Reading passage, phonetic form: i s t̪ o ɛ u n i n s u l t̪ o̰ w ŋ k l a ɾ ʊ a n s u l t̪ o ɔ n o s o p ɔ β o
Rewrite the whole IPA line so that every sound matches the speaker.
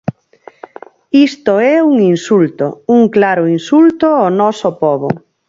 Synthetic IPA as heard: i s t̪ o ɛ u ŋ i n s u l t̪ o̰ u ŋ k l a ɾ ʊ i n s u l t̪ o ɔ n ɔ s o p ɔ β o